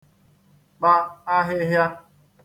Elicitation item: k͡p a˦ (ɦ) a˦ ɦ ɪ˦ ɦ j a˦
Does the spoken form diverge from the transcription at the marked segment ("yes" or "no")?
yes